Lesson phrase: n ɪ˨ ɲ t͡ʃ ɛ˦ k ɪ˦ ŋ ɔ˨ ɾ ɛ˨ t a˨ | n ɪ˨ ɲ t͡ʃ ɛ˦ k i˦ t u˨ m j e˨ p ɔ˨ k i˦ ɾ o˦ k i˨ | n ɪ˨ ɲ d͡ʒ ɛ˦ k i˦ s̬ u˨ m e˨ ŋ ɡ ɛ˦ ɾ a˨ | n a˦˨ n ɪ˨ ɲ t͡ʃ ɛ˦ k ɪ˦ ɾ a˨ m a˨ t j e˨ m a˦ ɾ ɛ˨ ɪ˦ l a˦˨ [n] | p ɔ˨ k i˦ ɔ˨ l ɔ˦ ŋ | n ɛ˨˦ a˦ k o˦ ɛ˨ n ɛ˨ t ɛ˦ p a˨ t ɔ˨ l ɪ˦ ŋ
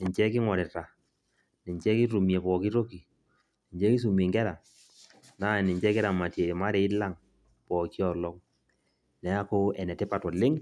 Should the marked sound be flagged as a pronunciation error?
yes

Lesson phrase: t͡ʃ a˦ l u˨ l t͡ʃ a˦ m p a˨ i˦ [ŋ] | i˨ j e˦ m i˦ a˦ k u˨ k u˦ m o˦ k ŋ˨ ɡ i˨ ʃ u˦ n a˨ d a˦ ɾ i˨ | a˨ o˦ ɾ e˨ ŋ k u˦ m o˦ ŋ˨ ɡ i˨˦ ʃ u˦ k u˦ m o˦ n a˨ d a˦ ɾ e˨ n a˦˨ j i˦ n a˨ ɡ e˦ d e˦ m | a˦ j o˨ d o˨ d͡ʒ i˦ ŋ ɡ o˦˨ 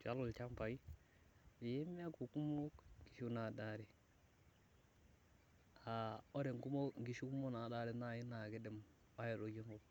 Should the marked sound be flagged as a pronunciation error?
yes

